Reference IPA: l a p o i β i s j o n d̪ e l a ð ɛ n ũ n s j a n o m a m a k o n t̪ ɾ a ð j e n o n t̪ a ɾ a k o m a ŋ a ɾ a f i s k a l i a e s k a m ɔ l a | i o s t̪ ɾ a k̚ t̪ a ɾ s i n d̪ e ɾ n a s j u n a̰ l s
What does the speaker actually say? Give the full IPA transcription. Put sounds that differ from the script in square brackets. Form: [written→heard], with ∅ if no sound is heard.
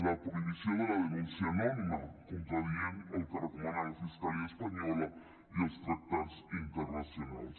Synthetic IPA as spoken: l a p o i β i s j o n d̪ e l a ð [ɛ→e] n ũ n s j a n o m [a→i] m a k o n t̪ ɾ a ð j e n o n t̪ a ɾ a k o m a [ŋ→n] a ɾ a f i s k a l i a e s [k→p] a [m→ɲ] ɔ l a | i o s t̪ ɾ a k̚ t̪ a ɾ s i n [d̪→t̪] e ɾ n a s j [u→o] n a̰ l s